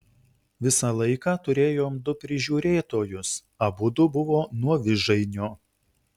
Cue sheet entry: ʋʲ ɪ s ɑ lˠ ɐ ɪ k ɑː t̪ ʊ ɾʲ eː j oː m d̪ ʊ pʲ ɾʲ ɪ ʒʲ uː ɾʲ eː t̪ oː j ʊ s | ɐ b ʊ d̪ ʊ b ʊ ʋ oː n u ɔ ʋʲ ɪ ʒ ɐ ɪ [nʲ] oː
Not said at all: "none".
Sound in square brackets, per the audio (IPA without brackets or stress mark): nʲ